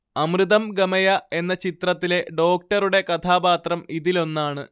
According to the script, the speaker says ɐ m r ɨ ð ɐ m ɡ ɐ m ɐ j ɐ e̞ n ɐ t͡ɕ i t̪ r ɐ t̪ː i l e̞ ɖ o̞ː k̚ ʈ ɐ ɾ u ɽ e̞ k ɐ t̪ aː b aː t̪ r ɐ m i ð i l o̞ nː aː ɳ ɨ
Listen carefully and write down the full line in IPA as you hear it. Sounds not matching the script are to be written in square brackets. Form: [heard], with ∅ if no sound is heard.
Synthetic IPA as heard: ɐ m r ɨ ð ɐ m ɡ ɐ m ɐ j ɐ e̞ [nː] ɐ t͡ɕ i t̪ r ɐ t̪ː i l e̞ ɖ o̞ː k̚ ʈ ɐ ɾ u ɽ e̞ k ɐ [t̪ʰ] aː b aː t̪ r ɐ m i ð i l o̞ nː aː ɳ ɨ